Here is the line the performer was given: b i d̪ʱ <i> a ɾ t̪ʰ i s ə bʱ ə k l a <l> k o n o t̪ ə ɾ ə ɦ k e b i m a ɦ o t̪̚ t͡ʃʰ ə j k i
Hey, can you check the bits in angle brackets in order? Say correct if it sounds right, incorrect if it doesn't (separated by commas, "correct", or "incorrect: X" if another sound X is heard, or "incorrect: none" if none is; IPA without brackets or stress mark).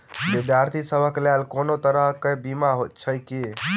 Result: incorrect: j, correct